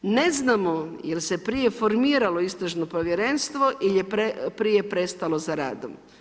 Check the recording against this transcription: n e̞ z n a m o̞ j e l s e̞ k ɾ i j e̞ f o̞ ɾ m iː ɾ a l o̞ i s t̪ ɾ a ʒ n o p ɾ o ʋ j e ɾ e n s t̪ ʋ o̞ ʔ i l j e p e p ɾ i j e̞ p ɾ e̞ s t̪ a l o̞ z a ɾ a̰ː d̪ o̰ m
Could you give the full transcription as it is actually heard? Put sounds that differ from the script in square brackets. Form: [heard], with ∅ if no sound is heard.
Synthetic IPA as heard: n e̞ z n a m o̞ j e l s e̞ [p] ɾ i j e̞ f o̞ ɾ m iː ɾ a l o̞ i s t̪ ɾ a ʒ n o p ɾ o ʋ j e ɾ e n s t̪ ʋ o̞ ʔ i l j e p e p ɾ i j e̞ p ɾ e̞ s t̪ a l o̞ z a ɾ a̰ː d̪ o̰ m